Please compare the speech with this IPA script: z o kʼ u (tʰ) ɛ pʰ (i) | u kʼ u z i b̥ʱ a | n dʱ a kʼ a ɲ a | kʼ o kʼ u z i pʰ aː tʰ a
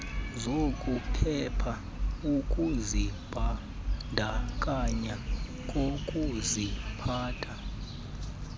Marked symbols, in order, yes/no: no, no

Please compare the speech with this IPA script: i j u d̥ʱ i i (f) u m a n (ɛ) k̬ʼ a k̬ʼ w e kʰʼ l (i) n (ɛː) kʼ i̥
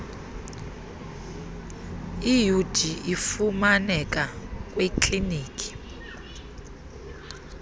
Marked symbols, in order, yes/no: yes, yes, yes, no

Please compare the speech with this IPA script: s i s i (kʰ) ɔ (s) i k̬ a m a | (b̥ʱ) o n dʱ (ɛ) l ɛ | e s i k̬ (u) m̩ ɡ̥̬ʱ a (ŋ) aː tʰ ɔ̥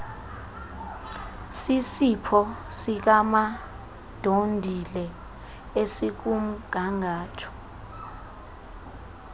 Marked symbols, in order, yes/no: no, yes, no, no, yes, yes

